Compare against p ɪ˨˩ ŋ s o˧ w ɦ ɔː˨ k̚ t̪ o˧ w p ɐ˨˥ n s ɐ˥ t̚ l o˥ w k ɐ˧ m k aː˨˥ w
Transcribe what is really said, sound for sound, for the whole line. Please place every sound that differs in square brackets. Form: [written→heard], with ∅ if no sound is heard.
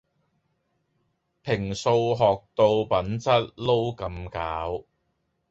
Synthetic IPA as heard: [p→pʰ] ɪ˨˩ ŋ s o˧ w ɦ ɔː˨ k̚ t̪ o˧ w p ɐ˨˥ n [s→t͡s] ɐ˥ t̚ l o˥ w k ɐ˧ m k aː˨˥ w